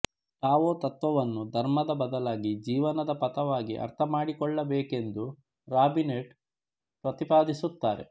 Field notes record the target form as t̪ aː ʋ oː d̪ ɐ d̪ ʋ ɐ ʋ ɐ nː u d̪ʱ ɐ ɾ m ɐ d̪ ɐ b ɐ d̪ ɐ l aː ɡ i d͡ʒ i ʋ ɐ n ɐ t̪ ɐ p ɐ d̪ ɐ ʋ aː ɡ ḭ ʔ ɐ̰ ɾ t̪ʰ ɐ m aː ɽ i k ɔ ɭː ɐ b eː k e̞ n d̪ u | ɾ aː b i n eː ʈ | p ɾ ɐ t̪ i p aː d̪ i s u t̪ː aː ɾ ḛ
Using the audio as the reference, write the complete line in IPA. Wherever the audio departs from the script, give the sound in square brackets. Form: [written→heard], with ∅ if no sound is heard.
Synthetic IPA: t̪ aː ʋ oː [d̪→t̪] ɐ [d̪→t̪] ʋ ɐ ʋ ɐ nː u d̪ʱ ɐ ɾ m ɐ d̪ ɐ b ɐ d̪ ɐ l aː ɡ i d͡ʒ [i→iː] ʋ ɐ n ɐ [t̪→d̪] ɐ p ɐ [d̪→t̪] ɐ ʋ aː ɡ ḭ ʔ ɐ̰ ɾ t̪ʰ ɐ m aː ɽ i k ɔ ɭː ɐ b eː k e̞ n d̪ u | ɾ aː b i n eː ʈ | p ɾ ɐ t̪ i p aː d̪ i s u t̪ː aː ɾ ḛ